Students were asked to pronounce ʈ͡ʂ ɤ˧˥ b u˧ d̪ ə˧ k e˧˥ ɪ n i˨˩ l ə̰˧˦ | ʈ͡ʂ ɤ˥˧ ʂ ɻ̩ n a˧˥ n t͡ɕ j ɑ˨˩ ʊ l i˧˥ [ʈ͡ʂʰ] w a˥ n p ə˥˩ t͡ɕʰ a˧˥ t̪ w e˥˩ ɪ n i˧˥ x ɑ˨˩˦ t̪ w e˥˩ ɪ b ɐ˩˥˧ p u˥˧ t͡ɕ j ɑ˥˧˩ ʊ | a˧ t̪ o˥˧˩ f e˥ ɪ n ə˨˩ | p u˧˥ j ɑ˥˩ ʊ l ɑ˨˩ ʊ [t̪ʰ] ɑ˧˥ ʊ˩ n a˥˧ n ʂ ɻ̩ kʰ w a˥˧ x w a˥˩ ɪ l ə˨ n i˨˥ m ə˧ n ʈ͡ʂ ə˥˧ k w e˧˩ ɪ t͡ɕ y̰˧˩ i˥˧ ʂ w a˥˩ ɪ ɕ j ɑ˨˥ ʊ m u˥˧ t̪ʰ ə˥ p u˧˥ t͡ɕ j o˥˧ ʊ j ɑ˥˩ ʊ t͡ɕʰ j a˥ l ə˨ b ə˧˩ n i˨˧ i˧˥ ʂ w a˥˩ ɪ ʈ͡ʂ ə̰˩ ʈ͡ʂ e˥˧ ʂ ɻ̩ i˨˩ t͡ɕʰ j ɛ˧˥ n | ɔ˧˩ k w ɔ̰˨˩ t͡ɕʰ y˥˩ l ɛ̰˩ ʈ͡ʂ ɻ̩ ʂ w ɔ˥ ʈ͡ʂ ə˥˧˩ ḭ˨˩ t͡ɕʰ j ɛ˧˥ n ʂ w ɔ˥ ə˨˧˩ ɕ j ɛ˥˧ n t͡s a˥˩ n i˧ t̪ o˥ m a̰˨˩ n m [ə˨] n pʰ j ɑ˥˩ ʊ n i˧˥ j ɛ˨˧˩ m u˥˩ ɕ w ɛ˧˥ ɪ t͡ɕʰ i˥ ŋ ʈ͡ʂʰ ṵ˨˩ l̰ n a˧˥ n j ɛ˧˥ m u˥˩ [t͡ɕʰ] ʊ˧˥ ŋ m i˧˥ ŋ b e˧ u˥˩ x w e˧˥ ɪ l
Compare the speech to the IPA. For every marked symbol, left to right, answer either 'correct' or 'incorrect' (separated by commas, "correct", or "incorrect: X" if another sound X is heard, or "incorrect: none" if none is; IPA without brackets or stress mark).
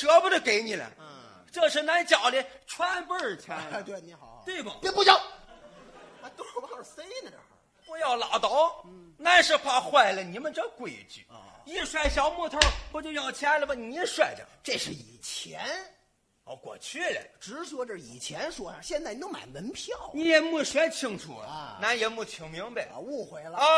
correct, incorrect: t̪, incorrect: ə˧˥, correct